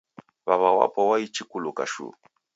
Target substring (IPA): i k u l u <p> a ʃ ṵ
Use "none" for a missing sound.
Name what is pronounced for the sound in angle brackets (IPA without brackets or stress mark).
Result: k